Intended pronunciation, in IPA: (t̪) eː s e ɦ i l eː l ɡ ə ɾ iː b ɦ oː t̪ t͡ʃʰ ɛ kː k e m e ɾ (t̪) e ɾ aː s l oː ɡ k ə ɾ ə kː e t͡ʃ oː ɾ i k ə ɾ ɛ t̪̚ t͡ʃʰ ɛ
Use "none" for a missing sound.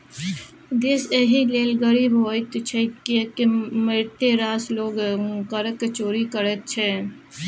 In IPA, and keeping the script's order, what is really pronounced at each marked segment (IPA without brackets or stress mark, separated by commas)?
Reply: d̪, t̪